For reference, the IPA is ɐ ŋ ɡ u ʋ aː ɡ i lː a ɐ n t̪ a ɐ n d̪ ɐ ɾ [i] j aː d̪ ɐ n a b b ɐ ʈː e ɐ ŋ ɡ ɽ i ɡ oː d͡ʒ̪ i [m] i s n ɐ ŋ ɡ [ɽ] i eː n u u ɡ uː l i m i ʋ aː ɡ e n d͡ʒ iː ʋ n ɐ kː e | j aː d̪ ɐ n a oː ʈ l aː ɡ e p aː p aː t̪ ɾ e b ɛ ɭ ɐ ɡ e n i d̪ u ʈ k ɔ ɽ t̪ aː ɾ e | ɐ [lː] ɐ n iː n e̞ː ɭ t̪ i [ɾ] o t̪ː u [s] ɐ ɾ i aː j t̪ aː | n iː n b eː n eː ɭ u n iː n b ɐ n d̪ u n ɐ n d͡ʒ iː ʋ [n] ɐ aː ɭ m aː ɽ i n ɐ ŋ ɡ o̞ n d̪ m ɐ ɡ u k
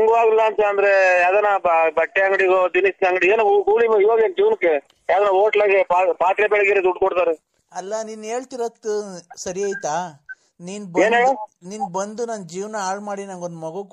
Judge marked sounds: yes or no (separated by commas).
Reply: no, no, yes, yes, yes, yes, yes